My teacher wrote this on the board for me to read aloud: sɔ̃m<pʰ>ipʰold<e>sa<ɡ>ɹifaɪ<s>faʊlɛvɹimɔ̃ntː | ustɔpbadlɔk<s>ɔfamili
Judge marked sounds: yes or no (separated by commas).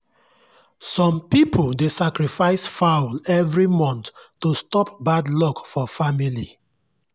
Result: no, yes, no, yes, no